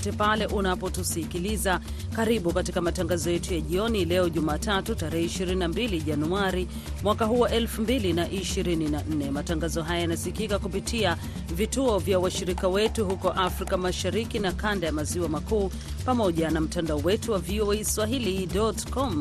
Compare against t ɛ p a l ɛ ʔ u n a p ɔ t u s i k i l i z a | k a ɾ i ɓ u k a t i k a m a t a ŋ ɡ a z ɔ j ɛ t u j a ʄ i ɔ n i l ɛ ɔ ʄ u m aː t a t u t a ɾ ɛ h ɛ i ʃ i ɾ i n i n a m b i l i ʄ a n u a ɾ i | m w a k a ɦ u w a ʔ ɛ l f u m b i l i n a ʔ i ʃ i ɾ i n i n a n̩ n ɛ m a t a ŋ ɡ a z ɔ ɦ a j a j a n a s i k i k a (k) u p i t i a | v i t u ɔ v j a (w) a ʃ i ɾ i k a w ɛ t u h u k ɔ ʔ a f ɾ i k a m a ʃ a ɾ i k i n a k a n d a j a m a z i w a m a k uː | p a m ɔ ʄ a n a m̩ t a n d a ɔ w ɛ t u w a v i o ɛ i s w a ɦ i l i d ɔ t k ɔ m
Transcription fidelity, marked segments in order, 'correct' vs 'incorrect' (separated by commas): correct, correct